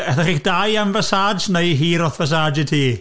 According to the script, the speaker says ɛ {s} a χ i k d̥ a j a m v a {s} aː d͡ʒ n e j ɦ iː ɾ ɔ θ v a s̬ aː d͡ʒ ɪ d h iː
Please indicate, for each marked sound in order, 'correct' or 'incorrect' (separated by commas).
incorrect, correct